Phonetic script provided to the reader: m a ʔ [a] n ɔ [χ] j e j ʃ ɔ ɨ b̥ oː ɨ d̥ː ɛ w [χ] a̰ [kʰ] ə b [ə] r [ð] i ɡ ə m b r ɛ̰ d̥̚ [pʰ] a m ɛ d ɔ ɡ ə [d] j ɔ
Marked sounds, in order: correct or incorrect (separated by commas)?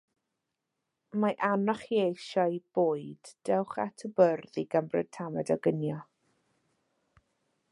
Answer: correct, correct, correct, incorrect, correct, correct, incorrect, incorrect